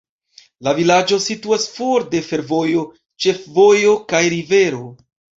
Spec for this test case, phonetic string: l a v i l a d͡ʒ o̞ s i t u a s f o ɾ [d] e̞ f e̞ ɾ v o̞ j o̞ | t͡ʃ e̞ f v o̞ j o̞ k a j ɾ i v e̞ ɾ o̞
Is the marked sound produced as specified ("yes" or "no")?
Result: yes